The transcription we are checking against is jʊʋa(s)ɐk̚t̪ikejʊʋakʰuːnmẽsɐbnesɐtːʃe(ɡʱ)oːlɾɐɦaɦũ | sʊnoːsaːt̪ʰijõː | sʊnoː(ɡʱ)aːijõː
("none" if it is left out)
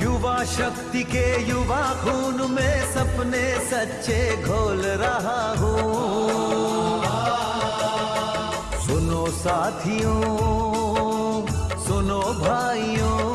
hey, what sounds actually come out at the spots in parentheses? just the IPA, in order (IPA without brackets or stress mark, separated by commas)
ʃ, ɡʱ, bʱ